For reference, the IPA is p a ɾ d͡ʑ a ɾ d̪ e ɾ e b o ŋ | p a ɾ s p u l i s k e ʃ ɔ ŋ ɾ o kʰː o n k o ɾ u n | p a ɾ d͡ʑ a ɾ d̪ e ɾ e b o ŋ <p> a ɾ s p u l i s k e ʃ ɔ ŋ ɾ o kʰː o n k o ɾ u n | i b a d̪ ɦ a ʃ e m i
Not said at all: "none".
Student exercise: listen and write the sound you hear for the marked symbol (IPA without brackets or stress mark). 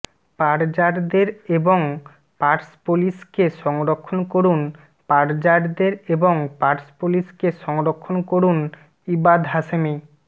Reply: p